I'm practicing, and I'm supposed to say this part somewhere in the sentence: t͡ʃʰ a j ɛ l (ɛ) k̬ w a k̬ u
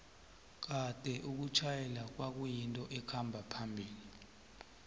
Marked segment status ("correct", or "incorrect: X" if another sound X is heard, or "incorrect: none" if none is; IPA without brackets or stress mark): incorrect: a